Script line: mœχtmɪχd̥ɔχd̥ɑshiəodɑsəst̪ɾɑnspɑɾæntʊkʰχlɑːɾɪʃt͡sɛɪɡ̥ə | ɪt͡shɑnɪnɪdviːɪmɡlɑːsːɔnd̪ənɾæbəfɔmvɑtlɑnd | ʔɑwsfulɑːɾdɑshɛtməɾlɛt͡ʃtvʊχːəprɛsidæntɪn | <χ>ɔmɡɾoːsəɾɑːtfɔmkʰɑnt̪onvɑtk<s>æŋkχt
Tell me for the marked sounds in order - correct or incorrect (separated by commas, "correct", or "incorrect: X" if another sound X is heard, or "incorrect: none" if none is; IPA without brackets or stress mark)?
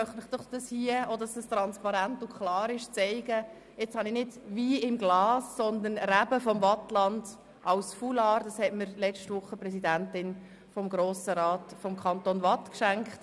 incorrect: f, incorrect: ʃ